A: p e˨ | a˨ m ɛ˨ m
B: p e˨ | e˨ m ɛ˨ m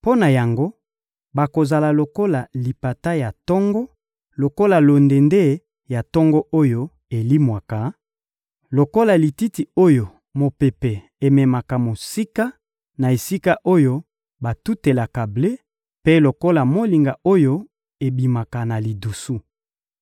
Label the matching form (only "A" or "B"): B